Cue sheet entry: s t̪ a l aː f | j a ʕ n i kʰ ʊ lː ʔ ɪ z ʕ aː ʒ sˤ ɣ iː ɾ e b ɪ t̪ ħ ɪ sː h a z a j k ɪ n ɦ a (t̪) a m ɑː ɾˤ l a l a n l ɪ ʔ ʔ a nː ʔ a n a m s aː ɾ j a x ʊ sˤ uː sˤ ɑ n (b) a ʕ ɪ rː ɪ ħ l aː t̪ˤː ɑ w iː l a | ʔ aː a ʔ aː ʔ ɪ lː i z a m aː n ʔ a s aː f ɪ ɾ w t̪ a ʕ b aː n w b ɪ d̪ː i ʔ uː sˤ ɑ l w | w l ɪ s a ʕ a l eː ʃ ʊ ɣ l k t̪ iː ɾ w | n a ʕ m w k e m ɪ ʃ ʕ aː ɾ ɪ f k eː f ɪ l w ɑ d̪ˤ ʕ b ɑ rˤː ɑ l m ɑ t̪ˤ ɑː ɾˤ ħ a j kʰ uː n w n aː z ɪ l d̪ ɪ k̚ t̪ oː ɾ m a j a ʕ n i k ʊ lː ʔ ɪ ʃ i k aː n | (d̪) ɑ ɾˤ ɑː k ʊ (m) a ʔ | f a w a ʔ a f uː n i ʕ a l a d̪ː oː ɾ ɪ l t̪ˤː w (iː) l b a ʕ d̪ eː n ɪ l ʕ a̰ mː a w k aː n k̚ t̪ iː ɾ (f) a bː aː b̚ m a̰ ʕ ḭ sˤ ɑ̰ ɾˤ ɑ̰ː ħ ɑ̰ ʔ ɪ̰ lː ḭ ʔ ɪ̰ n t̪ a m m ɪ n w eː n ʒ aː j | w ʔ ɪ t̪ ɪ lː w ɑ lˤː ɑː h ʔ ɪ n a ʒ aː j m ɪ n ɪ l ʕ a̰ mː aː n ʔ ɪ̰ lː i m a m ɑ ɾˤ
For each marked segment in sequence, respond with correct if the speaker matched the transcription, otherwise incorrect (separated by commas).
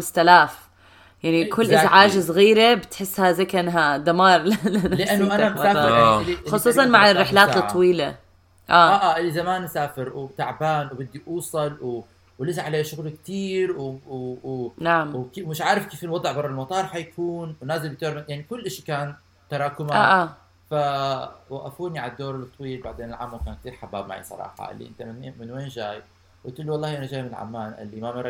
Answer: incorrect, incorrect, incorrect, correct, correct, incorrect